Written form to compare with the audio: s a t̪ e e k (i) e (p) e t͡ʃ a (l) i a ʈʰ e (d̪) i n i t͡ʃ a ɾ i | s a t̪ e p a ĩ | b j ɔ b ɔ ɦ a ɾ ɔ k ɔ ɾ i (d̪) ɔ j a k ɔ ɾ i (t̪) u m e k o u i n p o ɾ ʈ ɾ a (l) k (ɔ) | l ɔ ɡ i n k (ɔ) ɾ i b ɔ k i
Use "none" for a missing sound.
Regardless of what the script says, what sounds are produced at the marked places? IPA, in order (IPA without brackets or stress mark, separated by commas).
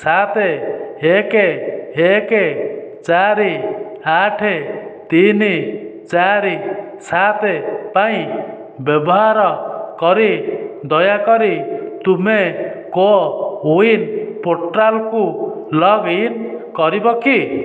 e, k, ɾ, t̪, d̪, t̪, l, u, ɔ